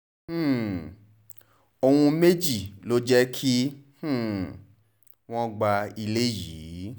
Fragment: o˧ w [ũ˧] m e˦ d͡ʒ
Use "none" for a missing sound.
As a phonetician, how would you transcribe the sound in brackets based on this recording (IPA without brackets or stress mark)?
ũ˧